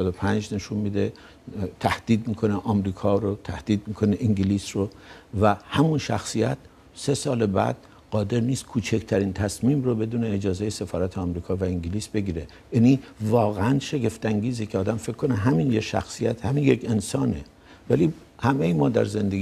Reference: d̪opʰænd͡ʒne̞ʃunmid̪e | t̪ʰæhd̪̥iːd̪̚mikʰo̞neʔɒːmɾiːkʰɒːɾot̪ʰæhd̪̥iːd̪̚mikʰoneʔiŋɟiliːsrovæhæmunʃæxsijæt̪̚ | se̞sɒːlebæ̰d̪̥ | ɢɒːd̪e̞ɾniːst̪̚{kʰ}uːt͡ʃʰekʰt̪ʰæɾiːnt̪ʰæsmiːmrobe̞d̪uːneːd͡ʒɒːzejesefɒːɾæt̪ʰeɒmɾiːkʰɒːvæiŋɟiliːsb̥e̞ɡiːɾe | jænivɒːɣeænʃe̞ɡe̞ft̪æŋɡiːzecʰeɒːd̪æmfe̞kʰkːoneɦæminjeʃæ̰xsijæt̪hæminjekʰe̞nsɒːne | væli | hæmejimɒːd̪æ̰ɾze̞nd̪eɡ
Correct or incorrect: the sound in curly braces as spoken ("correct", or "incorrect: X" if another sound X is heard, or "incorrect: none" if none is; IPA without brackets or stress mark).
correct